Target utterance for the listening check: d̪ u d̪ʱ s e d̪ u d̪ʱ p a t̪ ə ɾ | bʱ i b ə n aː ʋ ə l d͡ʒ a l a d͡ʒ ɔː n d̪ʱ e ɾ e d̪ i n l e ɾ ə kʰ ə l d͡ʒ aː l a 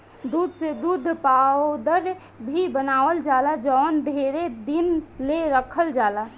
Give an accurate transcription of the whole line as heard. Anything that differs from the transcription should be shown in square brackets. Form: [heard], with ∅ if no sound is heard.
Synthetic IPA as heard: d̪ u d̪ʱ s e d̪ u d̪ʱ p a [d̪] ə ɾ | bʱ i b ə n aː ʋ ə l d͡ʒ a l a d͡ʒ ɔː n d̪ʱ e ɾ e d̪ i n l e ɾ ə kʰ ə l d͡ʒ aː l a